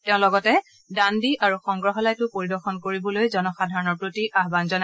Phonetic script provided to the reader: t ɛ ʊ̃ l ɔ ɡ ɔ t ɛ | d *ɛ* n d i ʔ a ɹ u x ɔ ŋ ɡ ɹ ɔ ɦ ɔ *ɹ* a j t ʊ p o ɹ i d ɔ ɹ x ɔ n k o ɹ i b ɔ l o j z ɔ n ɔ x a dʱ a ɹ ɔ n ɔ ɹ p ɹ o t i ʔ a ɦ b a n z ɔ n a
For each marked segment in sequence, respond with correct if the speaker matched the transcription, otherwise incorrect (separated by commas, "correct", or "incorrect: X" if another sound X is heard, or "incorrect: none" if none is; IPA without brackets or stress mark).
incorrect: a, incorrect: l